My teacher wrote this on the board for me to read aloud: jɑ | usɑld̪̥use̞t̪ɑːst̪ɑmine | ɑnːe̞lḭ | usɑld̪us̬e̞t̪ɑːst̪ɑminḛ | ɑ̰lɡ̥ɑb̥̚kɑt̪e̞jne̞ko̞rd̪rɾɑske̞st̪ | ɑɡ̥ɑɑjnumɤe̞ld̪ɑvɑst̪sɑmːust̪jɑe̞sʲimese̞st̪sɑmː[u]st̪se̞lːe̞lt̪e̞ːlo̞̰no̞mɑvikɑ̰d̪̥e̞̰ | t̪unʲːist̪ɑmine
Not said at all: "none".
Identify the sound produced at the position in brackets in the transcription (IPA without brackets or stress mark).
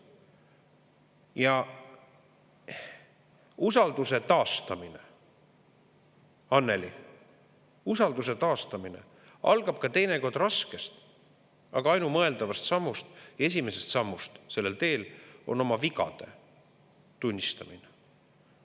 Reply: u